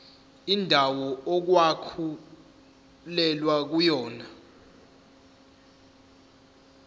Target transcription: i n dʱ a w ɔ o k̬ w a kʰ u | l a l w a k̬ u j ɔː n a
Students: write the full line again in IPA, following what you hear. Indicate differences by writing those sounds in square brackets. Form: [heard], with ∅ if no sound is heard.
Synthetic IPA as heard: i n dʱ a w ɔ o k̬ w a kʰ u | l [ɛ] l w a k̬ u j ɔː n a